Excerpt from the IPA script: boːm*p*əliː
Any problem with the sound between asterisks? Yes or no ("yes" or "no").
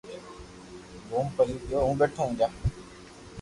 no